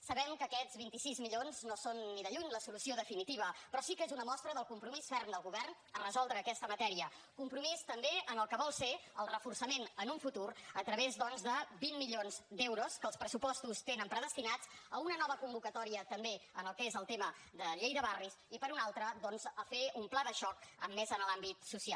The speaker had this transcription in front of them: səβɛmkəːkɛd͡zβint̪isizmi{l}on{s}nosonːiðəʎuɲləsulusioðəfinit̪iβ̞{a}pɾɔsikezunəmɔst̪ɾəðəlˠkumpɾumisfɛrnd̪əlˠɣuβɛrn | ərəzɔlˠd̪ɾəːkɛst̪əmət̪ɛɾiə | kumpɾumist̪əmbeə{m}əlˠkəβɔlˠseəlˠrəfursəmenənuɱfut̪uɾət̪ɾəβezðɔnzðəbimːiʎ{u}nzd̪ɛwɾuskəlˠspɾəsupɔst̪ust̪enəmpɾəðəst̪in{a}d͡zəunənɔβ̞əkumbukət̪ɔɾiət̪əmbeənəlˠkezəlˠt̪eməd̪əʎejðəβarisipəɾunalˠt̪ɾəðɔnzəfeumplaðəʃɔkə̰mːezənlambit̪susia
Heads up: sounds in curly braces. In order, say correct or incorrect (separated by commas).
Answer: incorrect, incorrect, incorrect, incorrect, incorrect, correct